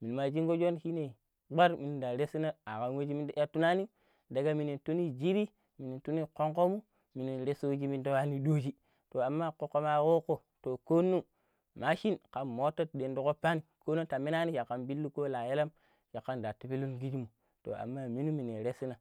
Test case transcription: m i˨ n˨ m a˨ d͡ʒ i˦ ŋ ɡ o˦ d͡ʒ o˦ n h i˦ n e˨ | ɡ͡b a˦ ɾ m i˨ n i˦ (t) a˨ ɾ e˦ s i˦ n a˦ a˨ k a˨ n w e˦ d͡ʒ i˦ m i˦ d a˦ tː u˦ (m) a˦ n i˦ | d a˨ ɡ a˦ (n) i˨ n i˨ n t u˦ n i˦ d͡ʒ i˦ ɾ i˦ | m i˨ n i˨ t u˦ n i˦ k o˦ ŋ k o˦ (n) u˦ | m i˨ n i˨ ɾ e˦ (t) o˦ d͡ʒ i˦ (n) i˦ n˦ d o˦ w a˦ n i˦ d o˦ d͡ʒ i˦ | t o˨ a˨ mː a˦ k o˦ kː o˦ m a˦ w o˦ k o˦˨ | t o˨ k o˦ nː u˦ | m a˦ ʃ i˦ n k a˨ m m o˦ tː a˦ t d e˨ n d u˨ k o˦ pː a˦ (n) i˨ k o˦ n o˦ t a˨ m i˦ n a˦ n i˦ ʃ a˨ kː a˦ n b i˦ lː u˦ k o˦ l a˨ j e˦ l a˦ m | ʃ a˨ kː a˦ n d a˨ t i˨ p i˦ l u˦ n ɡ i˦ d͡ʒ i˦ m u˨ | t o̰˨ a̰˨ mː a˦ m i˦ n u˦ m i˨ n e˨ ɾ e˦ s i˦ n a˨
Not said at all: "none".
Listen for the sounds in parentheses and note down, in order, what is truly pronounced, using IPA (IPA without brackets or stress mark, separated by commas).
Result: d, n, m, m, s, m, n